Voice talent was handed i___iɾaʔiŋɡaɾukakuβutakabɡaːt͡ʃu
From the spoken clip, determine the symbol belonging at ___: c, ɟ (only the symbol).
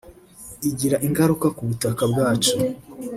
ɟ